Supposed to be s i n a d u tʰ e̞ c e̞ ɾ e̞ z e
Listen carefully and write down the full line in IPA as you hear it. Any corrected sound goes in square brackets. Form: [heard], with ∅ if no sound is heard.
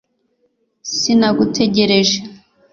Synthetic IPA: s i n a [ɡ] u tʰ e̞ [ɟ] e̞ ɾ e̞ [ʒ] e